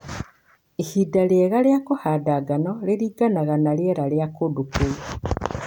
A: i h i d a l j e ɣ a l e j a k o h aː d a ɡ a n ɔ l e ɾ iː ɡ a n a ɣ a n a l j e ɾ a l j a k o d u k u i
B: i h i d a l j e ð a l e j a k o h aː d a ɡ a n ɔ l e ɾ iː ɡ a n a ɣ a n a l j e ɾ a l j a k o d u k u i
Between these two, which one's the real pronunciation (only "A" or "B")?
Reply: A